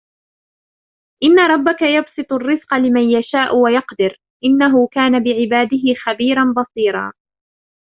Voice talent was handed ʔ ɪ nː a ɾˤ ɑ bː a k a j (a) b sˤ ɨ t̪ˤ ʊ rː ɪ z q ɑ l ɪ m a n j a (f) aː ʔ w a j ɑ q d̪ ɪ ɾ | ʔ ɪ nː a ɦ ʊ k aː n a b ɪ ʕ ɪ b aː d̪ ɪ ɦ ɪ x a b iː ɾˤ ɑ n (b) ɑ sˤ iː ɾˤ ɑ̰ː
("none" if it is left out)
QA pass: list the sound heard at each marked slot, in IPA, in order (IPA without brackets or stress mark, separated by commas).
ɑ, ʃ, b